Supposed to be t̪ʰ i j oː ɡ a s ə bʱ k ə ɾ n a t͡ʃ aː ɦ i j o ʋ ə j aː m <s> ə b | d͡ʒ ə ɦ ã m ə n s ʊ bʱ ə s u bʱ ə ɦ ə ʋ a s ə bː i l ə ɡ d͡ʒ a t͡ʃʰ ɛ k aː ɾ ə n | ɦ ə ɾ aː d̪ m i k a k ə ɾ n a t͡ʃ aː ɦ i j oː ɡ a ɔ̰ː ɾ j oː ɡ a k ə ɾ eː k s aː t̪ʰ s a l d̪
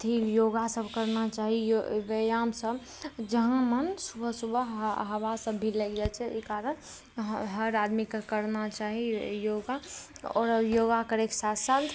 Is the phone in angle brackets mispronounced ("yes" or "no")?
no